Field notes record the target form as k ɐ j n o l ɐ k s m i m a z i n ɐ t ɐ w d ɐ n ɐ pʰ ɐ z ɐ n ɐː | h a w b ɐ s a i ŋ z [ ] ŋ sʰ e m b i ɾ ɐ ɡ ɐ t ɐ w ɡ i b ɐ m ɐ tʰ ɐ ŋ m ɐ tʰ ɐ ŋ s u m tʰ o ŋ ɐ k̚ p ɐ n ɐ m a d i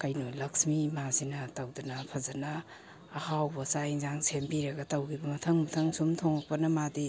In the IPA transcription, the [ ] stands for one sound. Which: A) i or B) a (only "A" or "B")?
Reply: B